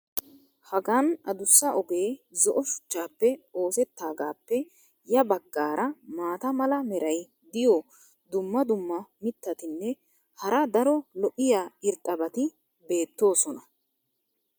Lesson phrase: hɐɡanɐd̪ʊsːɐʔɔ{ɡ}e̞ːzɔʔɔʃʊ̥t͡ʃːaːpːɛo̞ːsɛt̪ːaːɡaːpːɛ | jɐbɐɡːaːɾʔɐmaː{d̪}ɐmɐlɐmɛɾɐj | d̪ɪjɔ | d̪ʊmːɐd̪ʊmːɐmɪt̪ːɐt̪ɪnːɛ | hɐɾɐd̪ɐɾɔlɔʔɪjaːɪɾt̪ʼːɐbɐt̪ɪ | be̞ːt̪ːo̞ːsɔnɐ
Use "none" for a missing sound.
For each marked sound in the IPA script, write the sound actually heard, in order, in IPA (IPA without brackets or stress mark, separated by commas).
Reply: ɡ, t̪